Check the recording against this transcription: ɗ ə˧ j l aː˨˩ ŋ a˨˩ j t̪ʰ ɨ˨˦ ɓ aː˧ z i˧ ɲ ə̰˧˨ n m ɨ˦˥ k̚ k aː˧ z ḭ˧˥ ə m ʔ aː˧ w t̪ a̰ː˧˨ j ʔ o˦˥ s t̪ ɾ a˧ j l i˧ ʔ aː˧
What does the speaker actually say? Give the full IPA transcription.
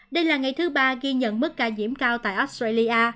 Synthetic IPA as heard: ɗ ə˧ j l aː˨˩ ŋ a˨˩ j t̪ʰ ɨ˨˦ ɓ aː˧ ɣ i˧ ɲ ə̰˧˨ n m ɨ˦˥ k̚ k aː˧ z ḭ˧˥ ə m k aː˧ w t̪ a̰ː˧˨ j ʔ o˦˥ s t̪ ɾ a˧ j l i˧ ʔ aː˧